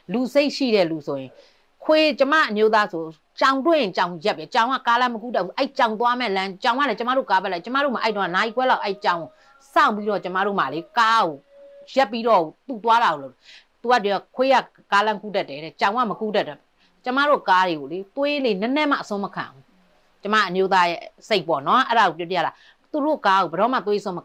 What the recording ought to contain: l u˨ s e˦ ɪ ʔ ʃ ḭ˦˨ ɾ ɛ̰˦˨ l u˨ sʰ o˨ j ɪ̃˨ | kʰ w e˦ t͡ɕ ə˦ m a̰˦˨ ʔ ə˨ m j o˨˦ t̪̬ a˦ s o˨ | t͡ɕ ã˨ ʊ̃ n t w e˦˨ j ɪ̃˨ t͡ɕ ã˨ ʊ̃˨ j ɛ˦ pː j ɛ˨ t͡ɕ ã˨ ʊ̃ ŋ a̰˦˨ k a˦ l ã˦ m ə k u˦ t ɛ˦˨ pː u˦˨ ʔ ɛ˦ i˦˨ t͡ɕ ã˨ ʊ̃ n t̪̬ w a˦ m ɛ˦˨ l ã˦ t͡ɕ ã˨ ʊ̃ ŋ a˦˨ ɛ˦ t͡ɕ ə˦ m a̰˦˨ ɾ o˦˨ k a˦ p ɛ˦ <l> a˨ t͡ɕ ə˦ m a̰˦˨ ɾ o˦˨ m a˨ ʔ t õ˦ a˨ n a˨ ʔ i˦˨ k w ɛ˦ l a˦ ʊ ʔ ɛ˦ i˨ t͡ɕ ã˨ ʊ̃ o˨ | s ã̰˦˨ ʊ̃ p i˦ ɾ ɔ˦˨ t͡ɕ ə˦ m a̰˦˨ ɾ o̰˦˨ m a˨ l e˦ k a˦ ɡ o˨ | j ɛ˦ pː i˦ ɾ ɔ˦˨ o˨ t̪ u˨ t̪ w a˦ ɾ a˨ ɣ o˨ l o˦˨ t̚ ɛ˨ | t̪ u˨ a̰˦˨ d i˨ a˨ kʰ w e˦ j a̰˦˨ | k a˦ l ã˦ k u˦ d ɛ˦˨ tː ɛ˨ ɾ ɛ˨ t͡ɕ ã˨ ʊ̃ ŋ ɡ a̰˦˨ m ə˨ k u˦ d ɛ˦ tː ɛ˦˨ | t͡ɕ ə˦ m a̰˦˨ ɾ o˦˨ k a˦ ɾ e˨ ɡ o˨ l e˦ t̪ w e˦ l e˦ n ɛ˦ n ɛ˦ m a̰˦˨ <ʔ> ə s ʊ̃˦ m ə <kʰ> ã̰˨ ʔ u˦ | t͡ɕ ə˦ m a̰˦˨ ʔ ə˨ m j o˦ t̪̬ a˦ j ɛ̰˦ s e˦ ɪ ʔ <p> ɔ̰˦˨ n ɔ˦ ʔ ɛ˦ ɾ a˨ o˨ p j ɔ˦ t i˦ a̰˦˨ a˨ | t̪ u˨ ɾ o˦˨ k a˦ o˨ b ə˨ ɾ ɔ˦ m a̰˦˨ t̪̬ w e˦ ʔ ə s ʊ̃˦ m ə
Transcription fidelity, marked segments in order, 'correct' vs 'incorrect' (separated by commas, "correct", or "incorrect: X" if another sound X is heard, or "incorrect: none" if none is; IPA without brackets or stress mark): correct, correct, correct, correct